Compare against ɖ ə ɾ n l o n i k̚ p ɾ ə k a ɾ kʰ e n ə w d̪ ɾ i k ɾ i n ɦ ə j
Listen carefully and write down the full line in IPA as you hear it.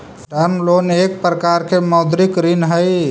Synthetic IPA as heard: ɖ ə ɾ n l o n e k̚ p ɾ ə k a ɾ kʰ e m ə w d̪ ɾ i k ɾ i n ɦ ə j